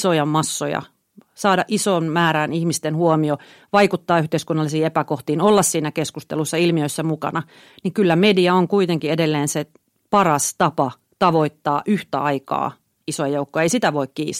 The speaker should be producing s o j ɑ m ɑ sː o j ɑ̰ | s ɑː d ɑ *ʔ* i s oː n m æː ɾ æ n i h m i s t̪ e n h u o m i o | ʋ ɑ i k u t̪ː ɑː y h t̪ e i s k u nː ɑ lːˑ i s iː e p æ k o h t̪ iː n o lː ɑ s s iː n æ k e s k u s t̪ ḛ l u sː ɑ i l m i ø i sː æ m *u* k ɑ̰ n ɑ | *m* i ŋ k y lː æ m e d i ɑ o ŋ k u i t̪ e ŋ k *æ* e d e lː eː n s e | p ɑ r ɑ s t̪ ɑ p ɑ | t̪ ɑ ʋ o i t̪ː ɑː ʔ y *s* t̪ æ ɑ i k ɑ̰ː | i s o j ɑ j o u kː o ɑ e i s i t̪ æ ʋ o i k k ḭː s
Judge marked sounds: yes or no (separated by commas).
yes, yes, no, no, no